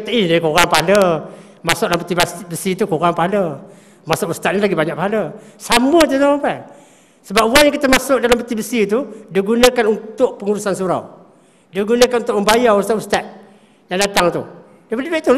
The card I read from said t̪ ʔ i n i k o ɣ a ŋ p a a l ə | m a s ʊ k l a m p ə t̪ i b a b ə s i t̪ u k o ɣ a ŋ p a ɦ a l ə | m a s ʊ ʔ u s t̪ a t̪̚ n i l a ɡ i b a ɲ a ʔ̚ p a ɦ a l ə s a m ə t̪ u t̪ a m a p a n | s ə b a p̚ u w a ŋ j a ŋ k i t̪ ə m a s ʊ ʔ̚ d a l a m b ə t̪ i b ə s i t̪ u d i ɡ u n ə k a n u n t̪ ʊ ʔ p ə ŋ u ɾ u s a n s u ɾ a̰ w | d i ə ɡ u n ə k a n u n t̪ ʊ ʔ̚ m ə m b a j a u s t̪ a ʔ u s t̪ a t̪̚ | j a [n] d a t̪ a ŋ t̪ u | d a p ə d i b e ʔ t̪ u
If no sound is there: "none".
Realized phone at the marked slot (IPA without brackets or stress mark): ŋ